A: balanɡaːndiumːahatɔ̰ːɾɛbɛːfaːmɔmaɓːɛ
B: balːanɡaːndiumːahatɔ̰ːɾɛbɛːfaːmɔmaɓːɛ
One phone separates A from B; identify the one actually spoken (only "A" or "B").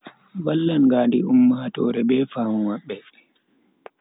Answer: B